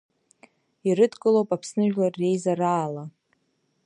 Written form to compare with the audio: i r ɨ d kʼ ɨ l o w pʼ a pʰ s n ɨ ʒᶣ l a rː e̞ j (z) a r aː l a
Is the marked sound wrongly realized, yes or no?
no